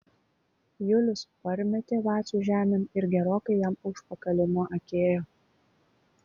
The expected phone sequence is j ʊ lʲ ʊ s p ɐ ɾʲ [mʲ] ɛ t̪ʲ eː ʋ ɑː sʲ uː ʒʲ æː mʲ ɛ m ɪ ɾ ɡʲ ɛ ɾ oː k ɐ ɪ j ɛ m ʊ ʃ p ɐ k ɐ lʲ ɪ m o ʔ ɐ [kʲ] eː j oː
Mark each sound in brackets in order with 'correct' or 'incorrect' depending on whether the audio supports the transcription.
correct, correct

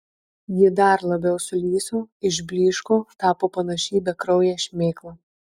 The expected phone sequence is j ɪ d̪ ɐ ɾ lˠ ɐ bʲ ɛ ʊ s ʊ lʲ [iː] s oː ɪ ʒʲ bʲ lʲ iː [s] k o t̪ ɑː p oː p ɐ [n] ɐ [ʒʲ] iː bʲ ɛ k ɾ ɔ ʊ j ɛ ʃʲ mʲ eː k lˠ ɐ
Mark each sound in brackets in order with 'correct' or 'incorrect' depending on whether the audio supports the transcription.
correct, incorrect: ʃ, correct, incorrect: ʃʲ

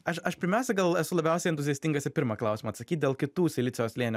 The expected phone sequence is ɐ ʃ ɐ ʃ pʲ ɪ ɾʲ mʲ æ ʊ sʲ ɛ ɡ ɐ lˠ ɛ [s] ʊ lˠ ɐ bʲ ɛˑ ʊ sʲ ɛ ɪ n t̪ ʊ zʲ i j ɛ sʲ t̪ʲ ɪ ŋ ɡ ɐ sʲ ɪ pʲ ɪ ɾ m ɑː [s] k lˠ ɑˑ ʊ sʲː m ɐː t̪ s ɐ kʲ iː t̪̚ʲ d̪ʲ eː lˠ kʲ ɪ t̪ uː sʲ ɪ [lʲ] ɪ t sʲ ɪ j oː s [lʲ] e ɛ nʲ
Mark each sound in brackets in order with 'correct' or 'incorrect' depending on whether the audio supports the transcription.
correct, incorrect: none, correct, correct

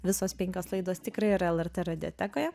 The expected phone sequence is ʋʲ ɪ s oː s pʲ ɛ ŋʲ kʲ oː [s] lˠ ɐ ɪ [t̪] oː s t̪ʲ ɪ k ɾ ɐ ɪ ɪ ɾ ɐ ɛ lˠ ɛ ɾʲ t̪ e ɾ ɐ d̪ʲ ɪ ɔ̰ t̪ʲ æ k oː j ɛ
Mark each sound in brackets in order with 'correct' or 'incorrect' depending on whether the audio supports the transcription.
correct, incorrect: d̪

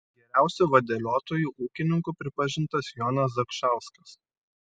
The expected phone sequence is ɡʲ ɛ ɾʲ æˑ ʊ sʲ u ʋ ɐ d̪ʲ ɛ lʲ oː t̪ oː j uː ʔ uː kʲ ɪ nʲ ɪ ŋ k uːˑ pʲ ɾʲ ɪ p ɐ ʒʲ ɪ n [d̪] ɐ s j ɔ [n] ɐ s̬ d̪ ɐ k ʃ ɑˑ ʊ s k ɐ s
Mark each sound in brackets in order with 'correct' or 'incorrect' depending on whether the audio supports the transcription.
incorrect: t̪, correct

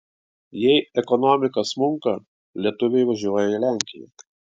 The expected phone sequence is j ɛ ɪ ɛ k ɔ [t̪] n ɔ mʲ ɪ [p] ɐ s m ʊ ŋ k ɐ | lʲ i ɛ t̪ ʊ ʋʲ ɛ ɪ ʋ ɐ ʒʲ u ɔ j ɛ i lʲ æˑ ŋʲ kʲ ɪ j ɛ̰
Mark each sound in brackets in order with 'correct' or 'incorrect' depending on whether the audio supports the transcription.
incorrect: none, incorrect: k

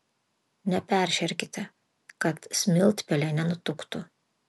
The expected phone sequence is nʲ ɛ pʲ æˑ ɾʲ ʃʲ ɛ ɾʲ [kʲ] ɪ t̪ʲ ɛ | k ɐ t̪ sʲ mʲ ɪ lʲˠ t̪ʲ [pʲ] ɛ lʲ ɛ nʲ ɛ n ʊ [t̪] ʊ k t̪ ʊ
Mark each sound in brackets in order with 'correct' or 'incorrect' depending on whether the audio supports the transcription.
correct, correct, correct

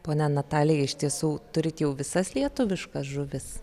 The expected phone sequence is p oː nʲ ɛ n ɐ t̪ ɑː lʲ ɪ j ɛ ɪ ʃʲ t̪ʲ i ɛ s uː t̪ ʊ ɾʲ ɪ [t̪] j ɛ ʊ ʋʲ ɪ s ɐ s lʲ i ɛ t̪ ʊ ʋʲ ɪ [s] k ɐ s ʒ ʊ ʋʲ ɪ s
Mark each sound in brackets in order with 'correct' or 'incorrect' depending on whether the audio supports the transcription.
correct, incorrect: ʃ

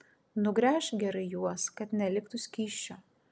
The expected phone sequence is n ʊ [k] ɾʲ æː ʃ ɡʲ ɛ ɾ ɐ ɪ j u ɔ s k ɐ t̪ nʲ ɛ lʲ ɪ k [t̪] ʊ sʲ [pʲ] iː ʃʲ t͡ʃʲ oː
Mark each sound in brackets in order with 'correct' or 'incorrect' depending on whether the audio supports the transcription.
incorrect: ɡ, correct, incorrect: kʲ

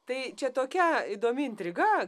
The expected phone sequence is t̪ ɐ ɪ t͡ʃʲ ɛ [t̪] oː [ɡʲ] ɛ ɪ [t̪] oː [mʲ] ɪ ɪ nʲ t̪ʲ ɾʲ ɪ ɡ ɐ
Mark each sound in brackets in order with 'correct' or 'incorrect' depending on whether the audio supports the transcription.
correct, incorrect: kʲ, incorrect: d̪, correct

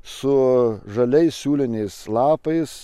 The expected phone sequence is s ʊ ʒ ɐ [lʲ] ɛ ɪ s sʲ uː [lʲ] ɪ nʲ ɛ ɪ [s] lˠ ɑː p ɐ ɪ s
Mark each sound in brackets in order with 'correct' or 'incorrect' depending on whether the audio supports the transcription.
correct, correct, correct

